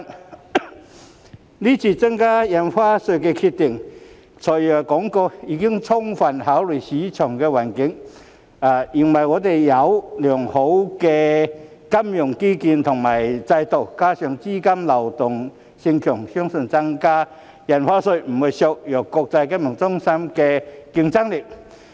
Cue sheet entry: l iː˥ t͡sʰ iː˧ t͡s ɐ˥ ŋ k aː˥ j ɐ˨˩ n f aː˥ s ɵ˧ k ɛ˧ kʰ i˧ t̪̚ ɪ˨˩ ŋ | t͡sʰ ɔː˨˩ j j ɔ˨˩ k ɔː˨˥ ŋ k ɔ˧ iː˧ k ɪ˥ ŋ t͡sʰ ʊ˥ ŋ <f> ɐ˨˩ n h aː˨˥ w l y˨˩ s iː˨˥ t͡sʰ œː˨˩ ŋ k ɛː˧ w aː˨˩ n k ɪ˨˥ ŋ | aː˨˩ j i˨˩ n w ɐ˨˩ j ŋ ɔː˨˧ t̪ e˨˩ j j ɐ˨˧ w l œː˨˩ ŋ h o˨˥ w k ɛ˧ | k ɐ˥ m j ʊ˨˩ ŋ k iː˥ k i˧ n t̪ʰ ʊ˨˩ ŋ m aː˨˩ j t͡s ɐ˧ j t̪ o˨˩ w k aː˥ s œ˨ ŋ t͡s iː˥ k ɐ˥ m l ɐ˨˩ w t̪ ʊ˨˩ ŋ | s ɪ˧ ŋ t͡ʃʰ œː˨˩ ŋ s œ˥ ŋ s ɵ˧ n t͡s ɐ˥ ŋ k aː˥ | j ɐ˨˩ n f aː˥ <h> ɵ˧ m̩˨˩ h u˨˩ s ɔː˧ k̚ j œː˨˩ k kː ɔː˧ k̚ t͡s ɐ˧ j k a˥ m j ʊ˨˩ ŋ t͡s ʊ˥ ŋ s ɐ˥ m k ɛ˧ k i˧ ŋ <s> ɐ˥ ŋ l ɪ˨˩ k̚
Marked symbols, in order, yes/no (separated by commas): yes, no, no